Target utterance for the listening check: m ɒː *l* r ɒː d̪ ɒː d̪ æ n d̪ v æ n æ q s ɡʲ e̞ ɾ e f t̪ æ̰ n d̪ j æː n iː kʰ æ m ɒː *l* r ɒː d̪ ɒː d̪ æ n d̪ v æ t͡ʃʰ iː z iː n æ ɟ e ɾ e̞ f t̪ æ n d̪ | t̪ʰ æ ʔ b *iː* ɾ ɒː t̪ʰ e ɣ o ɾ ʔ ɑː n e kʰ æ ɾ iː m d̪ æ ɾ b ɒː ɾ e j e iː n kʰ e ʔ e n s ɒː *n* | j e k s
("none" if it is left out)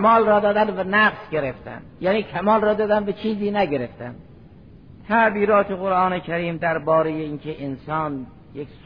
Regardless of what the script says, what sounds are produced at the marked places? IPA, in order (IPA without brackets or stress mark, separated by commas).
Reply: l, l, iː, n